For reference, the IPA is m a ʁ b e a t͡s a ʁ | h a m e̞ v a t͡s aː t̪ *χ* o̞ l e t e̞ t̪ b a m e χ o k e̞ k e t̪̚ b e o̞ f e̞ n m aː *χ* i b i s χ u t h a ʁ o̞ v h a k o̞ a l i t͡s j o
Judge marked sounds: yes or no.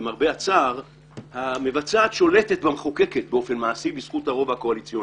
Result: no, no

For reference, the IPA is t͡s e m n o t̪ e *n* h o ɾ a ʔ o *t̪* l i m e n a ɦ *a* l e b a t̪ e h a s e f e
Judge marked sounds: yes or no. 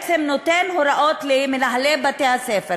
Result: yes, yes, yes

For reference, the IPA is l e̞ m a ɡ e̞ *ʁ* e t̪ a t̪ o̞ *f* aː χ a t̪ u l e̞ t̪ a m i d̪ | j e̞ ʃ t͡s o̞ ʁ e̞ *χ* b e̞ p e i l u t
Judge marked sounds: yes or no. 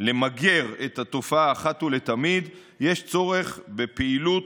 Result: yes, yes, yes

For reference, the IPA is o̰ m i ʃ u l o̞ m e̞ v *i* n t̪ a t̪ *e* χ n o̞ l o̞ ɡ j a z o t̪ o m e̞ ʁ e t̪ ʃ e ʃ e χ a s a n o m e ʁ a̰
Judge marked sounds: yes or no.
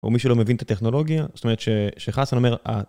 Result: yes, yes

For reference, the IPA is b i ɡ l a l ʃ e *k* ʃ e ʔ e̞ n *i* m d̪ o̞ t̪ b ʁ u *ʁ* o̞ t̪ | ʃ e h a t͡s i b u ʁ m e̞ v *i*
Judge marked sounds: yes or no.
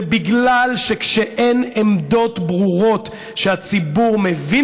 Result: yes, no, yes, yes

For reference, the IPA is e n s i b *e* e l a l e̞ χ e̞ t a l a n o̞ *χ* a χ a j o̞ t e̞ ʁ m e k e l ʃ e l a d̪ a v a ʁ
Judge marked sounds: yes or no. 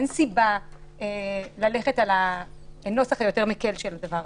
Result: no, no

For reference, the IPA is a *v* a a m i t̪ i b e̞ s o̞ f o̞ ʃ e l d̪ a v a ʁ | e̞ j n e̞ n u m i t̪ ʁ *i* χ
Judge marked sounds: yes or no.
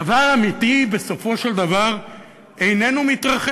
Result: yes, no

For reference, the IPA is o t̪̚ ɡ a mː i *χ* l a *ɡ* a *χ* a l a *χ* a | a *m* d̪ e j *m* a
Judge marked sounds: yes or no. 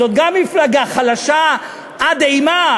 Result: no, yes, yes, no, no, yes

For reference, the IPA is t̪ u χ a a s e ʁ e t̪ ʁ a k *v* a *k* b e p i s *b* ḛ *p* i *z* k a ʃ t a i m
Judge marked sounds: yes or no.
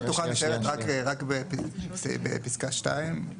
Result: no, yes, yes, yes, no

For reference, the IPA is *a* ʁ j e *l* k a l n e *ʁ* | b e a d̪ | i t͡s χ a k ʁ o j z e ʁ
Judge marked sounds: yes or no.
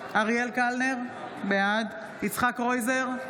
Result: yes, yes, yes

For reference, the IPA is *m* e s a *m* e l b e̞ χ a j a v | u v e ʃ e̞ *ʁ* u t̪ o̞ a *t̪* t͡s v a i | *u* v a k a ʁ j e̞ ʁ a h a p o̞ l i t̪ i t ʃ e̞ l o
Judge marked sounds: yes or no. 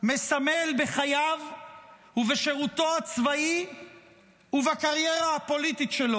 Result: yes, yes, yes, no, yes

